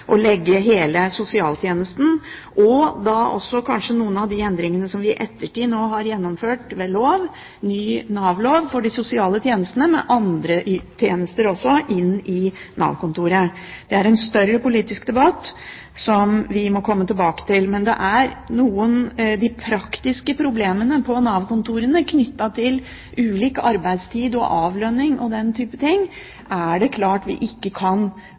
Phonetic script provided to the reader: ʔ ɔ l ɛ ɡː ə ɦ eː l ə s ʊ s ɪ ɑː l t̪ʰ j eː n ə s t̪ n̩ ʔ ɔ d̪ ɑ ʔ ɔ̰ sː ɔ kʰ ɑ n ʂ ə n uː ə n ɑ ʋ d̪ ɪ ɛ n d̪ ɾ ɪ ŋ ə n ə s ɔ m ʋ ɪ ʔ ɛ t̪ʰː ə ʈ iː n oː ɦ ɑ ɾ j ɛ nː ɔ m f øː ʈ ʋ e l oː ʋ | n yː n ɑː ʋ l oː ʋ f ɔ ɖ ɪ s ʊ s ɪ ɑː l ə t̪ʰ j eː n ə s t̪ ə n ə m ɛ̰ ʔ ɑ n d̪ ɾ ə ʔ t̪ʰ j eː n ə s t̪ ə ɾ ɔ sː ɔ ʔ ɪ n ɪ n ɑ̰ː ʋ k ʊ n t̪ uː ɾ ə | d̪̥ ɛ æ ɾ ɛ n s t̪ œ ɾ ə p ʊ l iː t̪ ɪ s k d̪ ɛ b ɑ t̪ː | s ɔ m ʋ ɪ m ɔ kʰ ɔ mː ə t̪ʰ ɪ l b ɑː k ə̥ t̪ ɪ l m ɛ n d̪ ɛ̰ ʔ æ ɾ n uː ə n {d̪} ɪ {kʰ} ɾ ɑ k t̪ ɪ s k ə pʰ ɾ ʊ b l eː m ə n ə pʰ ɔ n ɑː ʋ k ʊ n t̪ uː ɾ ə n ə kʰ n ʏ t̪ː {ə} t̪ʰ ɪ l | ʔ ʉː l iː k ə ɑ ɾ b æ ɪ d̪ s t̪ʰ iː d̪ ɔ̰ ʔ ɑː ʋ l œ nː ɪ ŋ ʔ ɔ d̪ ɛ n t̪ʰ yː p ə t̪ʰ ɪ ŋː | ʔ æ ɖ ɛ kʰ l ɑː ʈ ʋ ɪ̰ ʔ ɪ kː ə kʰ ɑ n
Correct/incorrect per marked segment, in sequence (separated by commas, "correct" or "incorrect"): correct, incorrect, incorrect